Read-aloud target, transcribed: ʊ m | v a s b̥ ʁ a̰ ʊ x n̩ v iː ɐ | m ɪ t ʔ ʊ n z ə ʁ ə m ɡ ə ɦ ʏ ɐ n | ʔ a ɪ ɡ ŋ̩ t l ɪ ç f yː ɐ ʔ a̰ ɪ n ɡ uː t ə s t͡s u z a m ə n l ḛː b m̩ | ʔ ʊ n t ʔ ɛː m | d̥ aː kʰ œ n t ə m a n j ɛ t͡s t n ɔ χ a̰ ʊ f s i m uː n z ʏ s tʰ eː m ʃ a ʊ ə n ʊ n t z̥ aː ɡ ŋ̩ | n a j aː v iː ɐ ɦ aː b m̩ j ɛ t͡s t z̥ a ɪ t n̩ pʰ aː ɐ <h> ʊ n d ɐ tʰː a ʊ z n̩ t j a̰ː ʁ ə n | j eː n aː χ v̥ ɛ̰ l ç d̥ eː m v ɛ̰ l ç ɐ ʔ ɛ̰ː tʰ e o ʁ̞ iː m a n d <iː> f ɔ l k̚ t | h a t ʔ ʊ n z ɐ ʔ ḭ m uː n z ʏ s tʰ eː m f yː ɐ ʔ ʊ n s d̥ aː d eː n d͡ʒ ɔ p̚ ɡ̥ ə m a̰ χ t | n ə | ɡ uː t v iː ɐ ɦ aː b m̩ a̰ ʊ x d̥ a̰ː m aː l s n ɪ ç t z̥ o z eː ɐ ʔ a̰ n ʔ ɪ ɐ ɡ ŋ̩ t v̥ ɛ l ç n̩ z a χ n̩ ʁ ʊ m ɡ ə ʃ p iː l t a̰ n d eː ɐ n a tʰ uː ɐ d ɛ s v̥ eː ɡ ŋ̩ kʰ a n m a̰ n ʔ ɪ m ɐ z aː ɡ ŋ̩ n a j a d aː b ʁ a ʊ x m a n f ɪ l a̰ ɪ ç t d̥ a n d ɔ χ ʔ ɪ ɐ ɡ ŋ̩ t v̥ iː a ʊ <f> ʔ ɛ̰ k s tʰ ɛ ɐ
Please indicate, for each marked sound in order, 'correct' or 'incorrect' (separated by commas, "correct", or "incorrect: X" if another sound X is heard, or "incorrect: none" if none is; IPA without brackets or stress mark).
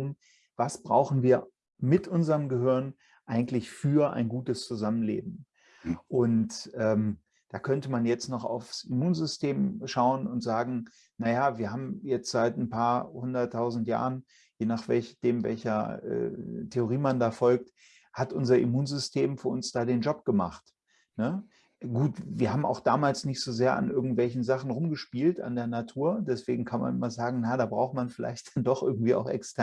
correct, incorrect: aː, incorrect: x